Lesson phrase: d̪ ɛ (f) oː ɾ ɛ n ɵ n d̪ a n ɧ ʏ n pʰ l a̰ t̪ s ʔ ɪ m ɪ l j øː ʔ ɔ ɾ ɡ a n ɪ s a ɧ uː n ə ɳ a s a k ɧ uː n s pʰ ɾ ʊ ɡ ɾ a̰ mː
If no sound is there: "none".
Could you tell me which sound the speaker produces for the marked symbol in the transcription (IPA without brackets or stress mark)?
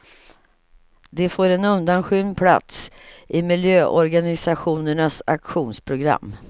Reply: f